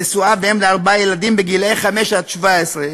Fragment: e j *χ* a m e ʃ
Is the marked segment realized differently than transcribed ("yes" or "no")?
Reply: no